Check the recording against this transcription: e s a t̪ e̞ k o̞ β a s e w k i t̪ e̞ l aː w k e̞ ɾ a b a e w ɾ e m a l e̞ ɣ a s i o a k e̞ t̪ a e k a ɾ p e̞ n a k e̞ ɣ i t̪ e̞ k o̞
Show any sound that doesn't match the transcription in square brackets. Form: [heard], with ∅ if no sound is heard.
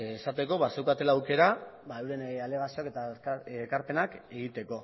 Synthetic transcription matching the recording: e s a t̪ e̞ k o̞ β a s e w k [a] t̪ e̞ l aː w k e̞ ɾ a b a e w ɾ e [n] a l e̞ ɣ a s i o a k e̞ t̪ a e k a ɾ p e̞ n a k e̞ ɣ i t̪ e̞ k o̞